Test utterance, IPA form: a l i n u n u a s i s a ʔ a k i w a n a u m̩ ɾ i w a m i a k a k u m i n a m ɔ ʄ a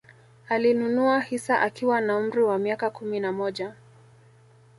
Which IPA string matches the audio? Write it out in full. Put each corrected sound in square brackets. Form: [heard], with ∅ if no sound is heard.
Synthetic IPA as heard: a l i n u n u a [h] i s a ʔ a k i w a n a u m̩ ɾ i w a m i a k a k u m i n a m ɔ ʄ a